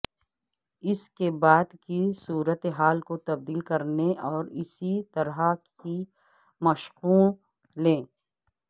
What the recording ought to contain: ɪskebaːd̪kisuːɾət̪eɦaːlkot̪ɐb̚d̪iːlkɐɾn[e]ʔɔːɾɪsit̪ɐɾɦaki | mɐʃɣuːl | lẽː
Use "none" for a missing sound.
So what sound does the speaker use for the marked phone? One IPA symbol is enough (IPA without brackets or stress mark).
e